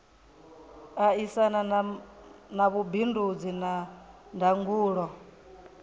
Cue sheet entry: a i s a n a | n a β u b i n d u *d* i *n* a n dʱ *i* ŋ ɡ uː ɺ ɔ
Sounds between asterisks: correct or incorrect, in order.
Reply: incorrect: d͡z, correct, incorrect: a

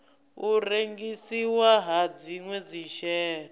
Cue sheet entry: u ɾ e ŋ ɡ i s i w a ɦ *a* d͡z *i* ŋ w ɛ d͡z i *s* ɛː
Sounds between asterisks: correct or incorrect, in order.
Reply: correct, correct, incorrect: ʃ

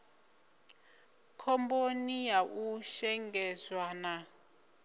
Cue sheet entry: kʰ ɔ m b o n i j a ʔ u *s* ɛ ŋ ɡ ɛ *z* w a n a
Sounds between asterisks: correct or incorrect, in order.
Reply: incorrect: ʃ, correct

